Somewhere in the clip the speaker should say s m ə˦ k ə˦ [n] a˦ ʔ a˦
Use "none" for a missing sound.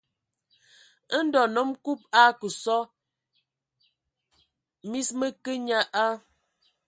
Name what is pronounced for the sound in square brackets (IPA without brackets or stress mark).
ɲ